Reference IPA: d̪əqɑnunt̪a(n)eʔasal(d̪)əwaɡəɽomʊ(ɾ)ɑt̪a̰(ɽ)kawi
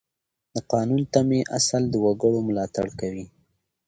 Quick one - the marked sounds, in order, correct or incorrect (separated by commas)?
incorrect, correct, incorrect, correct